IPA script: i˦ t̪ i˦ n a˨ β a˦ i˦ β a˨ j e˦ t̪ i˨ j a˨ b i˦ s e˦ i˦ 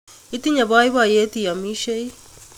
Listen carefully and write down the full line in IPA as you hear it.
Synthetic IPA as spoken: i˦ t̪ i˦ ɲ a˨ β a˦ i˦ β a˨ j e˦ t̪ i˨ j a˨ m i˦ ʃ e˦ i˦